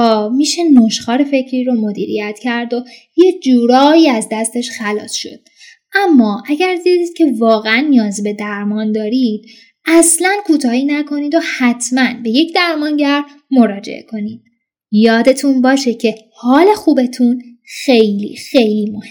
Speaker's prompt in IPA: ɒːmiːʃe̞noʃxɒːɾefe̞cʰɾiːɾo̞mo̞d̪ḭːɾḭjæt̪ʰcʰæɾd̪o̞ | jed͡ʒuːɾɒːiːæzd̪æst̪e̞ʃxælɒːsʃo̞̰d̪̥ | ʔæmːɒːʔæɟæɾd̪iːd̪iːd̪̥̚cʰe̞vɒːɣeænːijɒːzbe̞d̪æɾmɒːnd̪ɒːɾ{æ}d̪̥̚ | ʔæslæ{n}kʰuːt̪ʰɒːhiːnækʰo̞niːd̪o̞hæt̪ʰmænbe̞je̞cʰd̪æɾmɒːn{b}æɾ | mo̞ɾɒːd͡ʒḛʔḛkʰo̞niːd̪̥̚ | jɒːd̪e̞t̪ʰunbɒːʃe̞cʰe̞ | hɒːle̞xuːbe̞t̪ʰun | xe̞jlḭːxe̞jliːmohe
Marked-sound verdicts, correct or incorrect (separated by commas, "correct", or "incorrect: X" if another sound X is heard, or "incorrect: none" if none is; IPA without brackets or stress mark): incorrect: i, correct, incorrect: ɟ